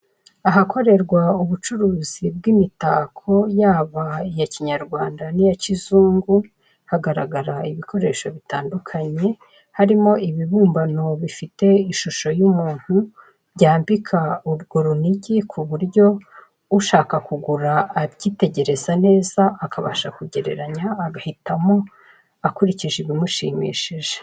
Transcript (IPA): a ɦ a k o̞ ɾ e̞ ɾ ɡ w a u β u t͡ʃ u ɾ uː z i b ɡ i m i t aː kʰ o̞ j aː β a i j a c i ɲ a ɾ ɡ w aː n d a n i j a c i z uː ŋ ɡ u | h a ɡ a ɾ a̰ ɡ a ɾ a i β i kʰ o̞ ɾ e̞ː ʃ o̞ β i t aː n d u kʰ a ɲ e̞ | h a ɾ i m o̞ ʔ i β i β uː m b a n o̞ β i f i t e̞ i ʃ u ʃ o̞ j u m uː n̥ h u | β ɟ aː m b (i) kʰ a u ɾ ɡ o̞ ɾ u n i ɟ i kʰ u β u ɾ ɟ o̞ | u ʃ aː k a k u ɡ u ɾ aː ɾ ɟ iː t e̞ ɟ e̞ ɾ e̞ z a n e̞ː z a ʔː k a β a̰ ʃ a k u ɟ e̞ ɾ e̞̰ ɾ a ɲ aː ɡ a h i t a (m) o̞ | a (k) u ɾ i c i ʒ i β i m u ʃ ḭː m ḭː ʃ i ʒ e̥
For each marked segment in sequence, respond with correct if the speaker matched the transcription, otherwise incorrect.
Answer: correct, correct, correct

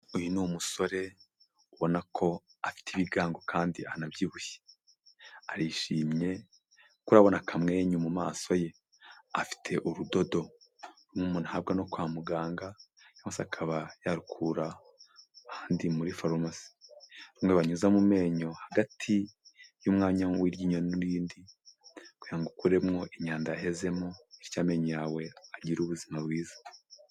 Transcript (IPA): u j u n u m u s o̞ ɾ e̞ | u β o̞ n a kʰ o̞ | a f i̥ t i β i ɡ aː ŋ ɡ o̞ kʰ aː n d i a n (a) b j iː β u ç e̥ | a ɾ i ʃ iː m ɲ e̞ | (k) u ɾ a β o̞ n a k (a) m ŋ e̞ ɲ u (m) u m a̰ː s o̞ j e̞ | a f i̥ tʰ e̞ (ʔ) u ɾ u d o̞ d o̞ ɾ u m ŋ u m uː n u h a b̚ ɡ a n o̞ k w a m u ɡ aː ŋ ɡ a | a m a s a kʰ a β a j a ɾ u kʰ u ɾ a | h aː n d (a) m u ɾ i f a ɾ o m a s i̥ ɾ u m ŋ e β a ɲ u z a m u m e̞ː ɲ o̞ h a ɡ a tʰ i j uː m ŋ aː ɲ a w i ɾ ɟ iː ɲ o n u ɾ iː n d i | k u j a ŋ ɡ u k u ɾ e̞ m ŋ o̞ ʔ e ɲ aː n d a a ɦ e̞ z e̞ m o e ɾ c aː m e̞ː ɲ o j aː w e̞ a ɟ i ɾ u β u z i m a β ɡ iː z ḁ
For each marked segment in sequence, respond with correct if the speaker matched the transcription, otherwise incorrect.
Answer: correct, correct, correct, correct, correct, incorrect: i

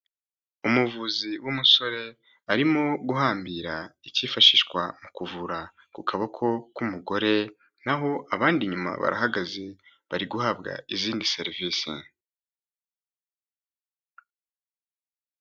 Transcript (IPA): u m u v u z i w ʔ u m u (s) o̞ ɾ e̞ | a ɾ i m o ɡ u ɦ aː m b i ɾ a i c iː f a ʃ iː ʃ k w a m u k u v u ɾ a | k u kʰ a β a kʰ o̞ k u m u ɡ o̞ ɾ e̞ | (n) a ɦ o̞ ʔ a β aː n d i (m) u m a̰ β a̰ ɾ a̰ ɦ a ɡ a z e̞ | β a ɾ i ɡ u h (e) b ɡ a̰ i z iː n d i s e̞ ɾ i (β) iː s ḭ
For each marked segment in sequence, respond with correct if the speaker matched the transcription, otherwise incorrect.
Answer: correct, correct, incorrect: ɲ, incorrect: a, incorrect: v

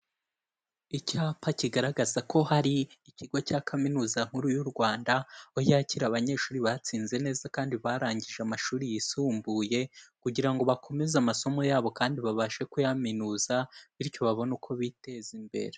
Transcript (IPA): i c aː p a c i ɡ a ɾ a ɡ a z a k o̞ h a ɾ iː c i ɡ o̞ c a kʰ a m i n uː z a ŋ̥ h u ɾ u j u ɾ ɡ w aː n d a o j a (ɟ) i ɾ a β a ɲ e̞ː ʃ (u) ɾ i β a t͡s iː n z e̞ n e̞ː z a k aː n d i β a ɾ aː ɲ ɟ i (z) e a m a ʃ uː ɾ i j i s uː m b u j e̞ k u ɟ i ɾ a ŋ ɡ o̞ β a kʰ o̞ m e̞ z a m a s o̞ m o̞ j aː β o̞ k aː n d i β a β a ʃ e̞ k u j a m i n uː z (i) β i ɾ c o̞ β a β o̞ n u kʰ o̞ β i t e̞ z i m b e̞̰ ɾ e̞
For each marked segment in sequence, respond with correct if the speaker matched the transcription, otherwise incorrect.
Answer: incorrect: c, incorrect: uː, incorrect: ʒ, incorrect: a

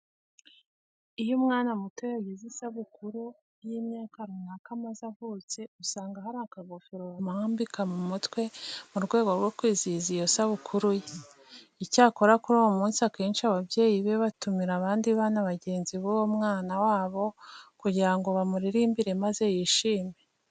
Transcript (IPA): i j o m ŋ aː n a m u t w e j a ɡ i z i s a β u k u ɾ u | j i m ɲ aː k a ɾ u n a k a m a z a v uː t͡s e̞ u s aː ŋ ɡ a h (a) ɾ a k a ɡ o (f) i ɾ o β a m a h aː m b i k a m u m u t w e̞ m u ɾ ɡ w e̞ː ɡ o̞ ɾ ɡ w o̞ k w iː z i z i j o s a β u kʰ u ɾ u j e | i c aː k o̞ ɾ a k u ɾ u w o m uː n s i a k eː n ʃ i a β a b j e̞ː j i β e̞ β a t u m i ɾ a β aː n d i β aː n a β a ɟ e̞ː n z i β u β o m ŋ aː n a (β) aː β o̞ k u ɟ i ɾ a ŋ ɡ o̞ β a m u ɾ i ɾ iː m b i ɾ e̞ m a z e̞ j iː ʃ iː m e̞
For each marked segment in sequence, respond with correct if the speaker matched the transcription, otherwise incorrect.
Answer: correct, correct, incorrect: w

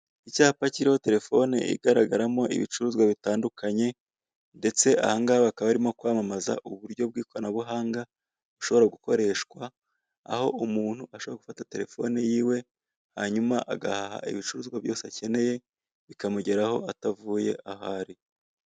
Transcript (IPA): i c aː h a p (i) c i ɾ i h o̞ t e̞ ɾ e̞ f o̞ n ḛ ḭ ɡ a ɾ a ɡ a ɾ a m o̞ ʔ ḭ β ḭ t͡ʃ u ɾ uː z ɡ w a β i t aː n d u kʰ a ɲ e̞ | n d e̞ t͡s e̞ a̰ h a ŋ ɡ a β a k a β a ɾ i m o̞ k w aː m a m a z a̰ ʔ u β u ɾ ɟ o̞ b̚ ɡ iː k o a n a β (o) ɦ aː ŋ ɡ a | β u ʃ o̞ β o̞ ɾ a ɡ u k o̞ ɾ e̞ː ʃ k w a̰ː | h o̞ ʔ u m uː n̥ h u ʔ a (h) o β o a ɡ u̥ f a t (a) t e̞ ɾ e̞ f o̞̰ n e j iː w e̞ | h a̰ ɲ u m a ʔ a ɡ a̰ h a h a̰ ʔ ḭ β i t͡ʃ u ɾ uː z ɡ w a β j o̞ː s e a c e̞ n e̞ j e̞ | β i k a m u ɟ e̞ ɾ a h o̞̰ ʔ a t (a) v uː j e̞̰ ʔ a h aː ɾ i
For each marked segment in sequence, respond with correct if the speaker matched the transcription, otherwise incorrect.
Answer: incorrect: a, incorrect: u, incorrect: ʃ, correct, correct

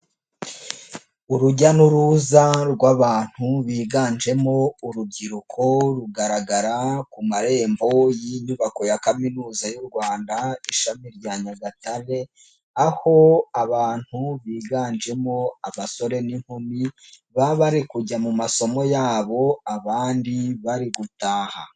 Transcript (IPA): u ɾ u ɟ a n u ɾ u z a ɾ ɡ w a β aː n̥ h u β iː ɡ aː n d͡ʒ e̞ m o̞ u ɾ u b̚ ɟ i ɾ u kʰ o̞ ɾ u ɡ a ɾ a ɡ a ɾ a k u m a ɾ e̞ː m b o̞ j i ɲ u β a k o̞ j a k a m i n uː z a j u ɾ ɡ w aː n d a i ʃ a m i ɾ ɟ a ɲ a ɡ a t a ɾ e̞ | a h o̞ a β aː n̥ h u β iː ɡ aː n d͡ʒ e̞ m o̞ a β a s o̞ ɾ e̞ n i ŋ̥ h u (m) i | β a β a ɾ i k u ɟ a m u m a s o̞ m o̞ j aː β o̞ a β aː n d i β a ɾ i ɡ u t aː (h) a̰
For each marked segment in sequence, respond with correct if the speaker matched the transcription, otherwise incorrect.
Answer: correct, correct

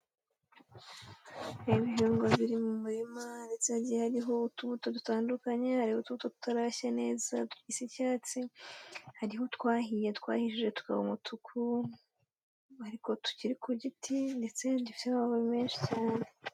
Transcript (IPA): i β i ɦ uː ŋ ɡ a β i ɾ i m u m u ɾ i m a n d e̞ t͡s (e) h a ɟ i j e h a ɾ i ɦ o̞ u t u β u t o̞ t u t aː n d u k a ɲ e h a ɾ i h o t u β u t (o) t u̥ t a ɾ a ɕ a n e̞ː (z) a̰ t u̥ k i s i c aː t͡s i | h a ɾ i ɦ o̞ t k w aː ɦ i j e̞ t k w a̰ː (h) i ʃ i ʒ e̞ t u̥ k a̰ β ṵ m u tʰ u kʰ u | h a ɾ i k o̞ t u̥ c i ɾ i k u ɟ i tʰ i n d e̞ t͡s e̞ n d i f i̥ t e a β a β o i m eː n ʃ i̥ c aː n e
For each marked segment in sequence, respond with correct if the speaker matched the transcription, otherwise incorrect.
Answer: correct, correct, correct, correct

